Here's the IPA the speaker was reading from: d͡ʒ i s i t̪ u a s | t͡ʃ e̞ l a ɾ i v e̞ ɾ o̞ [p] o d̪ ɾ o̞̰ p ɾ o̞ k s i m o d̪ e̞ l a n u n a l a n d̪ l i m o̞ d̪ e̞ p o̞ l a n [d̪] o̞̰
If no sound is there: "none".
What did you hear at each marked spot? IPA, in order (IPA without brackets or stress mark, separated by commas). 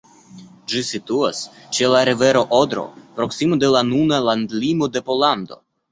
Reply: ʔ, d̪